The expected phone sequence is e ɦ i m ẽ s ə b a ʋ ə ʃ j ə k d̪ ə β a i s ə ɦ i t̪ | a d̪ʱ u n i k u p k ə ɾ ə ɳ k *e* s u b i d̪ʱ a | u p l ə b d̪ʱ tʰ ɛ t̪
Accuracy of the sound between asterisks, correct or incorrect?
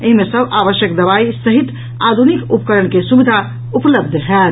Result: correct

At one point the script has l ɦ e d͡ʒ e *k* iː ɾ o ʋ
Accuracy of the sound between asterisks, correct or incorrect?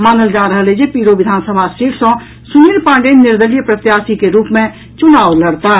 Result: incorrect: p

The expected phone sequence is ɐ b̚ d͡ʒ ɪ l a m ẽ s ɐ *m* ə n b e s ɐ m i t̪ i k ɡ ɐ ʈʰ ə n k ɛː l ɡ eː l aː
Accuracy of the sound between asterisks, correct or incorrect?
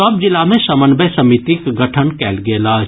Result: correct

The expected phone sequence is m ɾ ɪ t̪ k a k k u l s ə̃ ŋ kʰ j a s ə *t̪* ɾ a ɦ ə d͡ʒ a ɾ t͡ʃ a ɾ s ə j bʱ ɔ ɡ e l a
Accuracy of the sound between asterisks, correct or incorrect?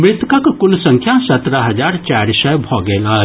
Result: correct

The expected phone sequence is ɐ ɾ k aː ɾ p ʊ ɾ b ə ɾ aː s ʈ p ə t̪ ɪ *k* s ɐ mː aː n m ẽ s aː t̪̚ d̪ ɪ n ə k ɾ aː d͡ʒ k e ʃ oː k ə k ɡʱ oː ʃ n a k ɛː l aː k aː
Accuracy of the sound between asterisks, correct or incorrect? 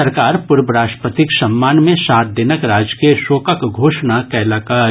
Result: correct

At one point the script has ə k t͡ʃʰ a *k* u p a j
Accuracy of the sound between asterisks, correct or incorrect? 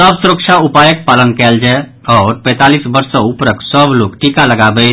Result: incorrect: none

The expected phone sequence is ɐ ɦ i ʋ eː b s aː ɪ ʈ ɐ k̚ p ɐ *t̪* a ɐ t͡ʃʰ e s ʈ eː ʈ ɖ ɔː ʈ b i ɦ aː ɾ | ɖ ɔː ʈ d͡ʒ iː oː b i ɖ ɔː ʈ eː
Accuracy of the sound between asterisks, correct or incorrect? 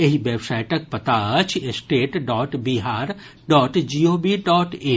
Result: correct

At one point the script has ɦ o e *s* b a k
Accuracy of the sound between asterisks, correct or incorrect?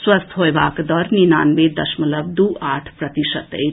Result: incorrect: none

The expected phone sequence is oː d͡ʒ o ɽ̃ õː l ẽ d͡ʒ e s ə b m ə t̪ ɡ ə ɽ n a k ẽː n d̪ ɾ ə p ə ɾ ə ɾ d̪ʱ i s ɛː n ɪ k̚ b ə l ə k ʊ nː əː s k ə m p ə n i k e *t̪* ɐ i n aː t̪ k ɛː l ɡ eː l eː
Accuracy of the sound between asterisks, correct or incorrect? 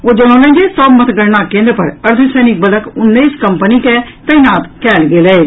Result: correct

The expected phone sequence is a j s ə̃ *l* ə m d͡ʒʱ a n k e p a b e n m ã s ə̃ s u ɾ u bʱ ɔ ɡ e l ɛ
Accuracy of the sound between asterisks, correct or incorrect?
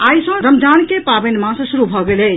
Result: incorrect: ɾ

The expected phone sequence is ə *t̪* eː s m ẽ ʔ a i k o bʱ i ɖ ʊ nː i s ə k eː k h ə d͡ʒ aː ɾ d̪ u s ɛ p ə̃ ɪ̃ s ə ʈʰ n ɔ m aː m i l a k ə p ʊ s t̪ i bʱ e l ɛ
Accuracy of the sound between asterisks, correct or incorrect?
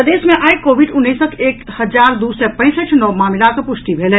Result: incorrect: d̪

